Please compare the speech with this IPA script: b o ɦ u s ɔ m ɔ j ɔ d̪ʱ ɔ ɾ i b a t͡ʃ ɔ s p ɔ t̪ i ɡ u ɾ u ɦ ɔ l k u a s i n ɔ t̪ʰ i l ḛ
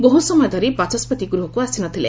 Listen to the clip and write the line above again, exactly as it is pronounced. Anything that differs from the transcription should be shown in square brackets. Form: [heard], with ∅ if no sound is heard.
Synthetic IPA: b o ɦ u s ɔ m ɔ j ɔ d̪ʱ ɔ ɾ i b a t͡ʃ ɔ s p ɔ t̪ i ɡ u ɾ u ɦ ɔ [∅] k u a s i n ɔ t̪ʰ i l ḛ